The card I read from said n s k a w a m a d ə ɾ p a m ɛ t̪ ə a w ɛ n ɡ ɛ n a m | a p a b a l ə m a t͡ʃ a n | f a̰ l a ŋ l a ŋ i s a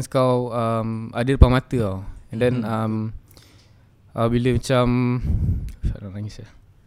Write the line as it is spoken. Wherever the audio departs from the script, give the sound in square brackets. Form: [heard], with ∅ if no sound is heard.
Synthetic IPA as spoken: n s k a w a m a d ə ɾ p a m [a] t̪ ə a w ɛ n [d] ɛ n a m | a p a b [i] l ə m a t͡ʃ a [m] | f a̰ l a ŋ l a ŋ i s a